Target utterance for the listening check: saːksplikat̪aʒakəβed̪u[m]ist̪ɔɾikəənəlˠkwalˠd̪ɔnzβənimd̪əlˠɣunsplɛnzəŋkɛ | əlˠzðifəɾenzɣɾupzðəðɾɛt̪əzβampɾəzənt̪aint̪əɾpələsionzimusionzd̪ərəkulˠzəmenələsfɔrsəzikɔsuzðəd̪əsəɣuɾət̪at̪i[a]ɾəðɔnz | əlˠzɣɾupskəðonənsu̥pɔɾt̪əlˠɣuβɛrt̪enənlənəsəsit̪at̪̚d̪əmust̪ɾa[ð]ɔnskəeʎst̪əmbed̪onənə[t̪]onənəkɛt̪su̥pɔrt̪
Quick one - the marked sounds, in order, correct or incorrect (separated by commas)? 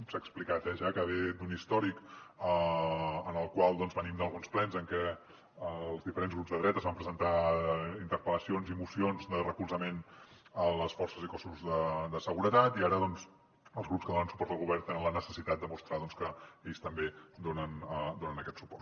incorrect, correct, correct, incorrect